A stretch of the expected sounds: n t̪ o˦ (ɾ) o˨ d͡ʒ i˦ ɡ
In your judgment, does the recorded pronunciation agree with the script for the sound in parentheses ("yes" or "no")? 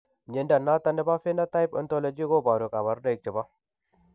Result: no